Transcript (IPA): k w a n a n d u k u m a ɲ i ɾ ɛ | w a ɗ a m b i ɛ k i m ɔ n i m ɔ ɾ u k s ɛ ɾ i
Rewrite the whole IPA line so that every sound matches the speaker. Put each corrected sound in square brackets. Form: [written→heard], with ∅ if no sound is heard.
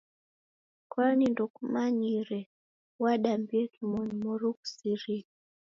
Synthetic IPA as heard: k w a n [a→i] n d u k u m a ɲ i ɾ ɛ | w a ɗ a m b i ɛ k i m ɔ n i m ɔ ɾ u k s [ɛ→i] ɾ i